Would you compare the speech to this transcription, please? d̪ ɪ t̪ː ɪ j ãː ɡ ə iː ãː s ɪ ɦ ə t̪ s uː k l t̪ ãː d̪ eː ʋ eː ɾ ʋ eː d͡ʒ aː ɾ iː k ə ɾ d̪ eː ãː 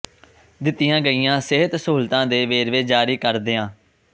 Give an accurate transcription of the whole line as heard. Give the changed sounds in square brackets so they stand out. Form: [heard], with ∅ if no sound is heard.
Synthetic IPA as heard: d̪ ɪ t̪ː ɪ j ãː ɡ ə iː ãː s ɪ ɦ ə t̪ s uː [∅] l t̪ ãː d̪ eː ʋ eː ɾ ʋ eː d͡ʒ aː ɾ iː k ə ɾ d̪ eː ãː